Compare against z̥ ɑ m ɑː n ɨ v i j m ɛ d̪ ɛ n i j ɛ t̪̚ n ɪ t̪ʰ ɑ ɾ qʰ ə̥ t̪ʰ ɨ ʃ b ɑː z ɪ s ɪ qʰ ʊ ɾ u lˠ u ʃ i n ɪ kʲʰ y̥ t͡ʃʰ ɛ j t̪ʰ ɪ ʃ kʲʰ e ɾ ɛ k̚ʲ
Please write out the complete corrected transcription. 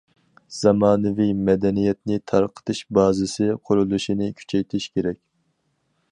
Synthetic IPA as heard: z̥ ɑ m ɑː n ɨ v i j m ɛ d̪ ɛ n i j ɛ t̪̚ n ɪ t̪ʰ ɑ ɾ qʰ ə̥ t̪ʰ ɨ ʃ b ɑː z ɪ s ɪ qʰ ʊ ɾ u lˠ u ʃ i n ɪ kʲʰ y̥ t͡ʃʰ ɛ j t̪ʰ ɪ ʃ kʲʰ e ɾ ɛ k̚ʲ